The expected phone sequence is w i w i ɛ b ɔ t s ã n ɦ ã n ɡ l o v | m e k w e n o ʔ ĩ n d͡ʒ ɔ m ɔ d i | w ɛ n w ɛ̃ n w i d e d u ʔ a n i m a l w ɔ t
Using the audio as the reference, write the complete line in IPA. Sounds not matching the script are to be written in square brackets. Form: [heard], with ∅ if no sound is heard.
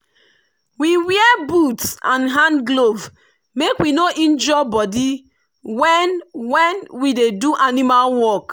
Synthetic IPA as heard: w i w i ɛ b [u] t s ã n ɦ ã n ɡ l o v | m e k w [i] n o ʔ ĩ n d͡ʒ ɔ [b] ɔ d i | w ɛ n w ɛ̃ n w i d e d u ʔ a n i m a l w ɔ [k]